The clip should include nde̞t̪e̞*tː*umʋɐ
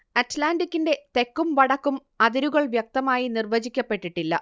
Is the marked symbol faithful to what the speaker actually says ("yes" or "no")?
no